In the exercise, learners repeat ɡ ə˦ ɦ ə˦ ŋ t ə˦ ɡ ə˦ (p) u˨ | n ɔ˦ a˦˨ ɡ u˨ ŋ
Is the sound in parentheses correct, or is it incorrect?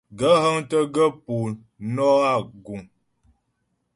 correct